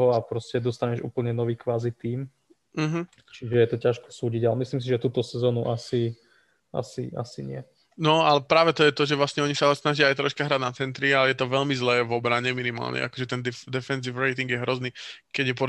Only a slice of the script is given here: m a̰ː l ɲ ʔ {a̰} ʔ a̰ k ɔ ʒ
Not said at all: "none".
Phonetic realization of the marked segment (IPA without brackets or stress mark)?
ɛ̰